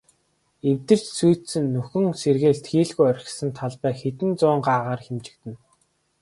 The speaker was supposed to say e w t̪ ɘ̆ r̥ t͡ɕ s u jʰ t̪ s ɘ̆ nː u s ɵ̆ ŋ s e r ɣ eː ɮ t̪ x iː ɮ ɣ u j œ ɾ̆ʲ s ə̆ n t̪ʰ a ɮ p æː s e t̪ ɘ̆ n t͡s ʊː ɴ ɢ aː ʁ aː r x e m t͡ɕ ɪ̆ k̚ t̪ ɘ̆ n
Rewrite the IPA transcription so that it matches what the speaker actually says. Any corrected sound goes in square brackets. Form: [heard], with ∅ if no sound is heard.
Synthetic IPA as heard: e w t̪ ɘ̆ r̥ t͡ɕ s u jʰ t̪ s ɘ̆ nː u [x] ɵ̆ ŋ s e r ɣ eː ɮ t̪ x iː ɮ ɣ u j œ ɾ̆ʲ s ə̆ n t̪ʰ a ɮ p æː [x] e t̪ ɘ̆ n t͡s ʊː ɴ ɢ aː ʁ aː r x e m t͡ɕ ɪ̆ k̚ t̪ ɘ̆ n